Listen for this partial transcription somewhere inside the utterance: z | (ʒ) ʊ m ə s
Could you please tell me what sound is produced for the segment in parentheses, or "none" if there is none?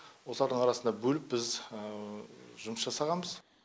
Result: ʒ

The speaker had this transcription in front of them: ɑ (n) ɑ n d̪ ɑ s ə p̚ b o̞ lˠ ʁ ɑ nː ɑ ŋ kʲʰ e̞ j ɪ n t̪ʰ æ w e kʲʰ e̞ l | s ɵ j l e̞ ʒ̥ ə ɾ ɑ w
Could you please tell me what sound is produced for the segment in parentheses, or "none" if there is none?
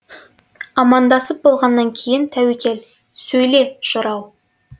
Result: m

